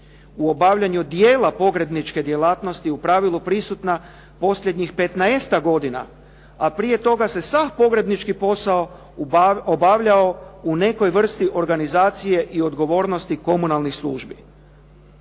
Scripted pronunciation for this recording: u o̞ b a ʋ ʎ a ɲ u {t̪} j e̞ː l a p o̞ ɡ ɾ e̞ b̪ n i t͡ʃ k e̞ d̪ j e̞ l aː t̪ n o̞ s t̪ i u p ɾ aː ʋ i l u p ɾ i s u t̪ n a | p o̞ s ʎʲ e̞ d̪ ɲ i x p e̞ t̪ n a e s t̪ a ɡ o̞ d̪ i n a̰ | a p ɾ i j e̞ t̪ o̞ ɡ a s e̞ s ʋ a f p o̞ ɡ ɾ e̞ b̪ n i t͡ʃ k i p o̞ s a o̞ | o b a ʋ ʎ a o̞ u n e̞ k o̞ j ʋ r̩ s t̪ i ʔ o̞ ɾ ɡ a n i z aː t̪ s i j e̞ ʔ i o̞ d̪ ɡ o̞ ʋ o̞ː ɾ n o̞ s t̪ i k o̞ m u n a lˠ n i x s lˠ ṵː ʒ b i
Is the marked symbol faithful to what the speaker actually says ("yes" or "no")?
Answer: no